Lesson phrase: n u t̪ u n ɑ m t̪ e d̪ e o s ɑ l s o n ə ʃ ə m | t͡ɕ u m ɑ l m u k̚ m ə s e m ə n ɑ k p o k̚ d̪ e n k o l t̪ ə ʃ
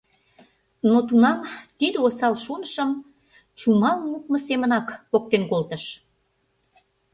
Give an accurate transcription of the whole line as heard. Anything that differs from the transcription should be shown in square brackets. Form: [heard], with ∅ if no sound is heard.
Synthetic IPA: n [o] t̪ u n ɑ m t̪ [i] d̪ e o s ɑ l [ʃ] o n ə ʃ ə m | t͡ɕ u m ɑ l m u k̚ m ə s e m ə n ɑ k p o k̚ [t̪] e n k o l t̪ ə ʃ